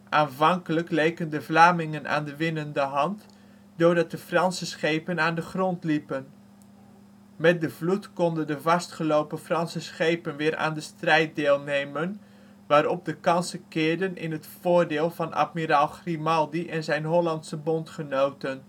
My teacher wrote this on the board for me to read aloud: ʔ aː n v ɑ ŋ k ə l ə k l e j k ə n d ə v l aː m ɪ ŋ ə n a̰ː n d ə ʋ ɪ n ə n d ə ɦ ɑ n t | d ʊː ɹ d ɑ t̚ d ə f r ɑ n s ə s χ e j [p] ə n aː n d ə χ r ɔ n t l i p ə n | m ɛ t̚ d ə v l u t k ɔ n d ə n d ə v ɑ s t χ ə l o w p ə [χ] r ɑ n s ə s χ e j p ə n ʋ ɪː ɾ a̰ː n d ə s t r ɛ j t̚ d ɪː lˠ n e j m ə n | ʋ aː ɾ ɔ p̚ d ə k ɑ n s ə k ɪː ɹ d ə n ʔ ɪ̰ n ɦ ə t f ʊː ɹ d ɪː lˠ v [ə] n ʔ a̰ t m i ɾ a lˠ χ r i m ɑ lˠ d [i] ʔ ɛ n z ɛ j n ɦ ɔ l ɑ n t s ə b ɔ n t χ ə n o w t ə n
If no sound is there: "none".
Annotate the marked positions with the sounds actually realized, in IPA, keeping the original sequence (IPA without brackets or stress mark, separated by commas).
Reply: p, f, ɑ, i